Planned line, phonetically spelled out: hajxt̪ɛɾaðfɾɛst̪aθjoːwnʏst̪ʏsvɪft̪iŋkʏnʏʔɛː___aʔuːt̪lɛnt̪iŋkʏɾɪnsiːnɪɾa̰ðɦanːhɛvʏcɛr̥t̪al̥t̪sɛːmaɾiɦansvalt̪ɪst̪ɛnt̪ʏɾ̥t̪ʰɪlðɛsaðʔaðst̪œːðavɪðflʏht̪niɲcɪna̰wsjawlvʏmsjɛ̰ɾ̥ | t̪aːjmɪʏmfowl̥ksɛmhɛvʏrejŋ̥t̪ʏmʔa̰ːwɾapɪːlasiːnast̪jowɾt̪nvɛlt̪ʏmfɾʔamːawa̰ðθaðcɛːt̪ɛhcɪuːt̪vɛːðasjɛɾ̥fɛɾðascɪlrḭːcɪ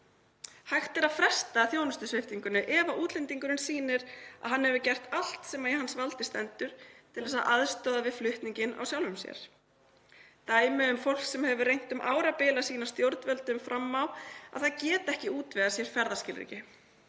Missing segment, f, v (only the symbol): v